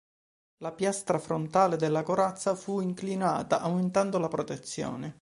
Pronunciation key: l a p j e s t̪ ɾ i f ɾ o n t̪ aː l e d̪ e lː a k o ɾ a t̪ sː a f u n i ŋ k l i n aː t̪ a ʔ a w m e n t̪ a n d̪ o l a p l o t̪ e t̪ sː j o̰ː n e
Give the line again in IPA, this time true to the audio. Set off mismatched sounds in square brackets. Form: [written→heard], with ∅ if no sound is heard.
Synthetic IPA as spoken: l a p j [e→a] s t̪ ɾ [i→a] f ɾ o n t̪ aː l e d̪ e lː a k o ɾ a t̪ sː a f u [n→∅] i ŋ k l i n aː t̪ a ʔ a w m e n t̪ a n d̪ o l a p [l→ɾ] o t̪ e t̪ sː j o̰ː n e